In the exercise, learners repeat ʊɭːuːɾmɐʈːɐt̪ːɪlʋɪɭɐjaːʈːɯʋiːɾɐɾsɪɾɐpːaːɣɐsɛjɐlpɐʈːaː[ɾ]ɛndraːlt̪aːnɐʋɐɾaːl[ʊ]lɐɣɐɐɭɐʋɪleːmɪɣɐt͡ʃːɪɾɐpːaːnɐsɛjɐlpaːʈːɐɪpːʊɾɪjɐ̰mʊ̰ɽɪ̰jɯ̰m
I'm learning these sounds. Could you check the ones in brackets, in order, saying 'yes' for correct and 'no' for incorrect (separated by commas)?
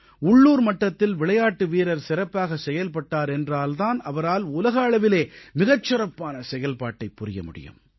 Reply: yes, yes